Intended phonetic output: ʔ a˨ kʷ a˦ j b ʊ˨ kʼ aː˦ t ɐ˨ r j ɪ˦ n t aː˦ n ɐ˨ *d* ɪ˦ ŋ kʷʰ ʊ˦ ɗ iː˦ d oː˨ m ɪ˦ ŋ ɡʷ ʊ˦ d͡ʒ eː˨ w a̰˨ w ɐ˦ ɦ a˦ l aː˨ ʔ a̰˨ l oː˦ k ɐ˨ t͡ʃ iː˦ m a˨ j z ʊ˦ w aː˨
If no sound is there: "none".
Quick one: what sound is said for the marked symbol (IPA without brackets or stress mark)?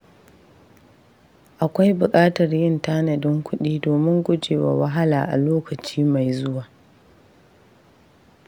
d